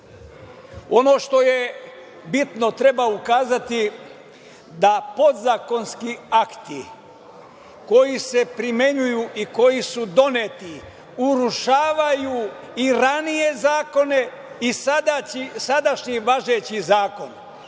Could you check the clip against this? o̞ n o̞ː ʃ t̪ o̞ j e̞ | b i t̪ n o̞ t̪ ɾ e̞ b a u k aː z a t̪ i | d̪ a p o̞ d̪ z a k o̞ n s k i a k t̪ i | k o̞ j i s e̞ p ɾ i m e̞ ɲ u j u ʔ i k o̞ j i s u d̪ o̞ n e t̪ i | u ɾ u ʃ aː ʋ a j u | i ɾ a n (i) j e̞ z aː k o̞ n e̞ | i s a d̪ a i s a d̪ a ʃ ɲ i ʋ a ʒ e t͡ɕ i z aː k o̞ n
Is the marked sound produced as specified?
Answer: yes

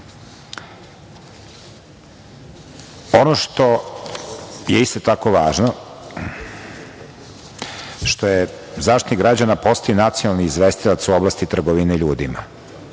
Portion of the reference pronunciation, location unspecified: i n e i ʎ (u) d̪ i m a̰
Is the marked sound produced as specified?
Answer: no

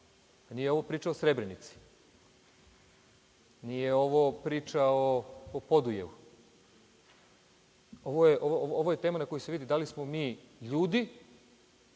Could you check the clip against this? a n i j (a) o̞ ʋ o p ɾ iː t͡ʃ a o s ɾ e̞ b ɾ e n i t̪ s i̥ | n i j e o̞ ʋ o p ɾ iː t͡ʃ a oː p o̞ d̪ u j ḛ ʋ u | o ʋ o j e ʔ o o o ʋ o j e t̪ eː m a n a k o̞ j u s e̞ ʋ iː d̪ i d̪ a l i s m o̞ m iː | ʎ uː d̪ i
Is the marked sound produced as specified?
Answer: no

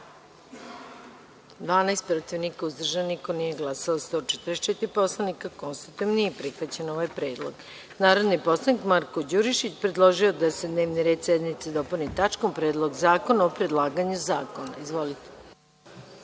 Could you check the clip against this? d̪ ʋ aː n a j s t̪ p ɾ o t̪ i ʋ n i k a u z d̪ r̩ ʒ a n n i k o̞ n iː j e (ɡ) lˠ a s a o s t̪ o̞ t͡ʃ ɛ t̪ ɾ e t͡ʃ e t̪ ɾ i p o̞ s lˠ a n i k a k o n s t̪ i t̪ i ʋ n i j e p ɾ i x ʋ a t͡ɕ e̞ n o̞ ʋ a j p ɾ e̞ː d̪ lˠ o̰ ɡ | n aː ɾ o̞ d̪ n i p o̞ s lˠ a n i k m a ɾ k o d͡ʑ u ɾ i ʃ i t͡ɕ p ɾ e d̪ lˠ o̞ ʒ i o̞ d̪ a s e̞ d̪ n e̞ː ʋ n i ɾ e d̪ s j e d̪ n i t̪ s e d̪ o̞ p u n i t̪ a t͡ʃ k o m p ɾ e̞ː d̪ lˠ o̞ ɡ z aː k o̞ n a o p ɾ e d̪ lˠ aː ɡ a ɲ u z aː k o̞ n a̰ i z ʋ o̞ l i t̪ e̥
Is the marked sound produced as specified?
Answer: yes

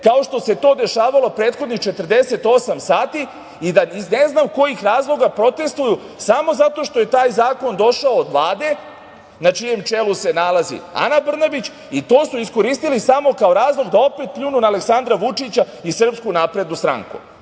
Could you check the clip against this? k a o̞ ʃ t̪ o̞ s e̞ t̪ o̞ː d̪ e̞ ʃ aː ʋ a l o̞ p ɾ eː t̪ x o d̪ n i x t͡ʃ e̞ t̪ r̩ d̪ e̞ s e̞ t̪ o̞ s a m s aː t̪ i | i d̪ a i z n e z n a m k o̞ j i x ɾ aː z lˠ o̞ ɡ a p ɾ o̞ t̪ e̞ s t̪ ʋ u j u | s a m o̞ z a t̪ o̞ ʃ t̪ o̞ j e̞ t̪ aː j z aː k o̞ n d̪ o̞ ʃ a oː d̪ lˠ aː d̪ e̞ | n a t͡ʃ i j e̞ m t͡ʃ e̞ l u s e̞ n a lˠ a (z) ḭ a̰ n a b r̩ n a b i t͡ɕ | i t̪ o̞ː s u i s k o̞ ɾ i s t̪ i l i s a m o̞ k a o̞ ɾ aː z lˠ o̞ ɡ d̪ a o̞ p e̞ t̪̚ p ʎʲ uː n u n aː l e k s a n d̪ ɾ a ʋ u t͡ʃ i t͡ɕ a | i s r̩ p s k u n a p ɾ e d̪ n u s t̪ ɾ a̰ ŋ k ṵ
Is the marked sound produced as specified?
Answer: yes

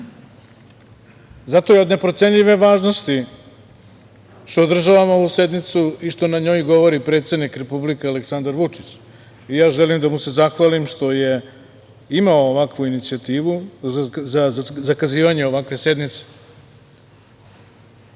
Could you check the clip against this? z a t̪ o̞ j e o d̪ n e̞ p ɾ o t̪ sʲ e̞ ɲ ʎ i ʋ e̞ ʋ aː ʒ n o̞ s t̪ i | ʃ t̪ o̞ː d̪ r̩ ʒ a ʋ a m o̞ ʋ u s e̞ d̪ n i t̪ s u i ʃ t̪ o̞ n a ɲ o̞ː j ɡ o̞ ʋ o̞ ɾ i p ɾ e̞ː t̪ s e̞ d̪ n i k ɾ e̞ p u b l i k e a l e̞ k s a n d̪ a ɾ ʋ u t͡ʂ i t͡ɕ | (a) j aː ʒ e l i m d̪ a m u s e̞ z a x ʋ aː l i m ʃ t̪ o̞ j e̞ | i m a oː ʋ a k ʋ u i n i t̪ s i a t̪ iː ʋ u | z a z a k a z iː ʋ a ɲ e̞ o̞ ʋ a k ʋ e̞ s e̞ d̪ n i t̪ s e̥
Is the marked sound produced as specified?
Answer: no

